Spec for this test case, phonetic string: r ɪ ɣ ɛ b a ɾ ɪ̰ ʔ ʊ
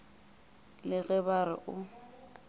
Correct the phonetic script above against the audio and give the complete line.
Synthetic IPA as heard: l ɪ ɣ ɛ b a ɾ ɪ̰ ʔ ʊ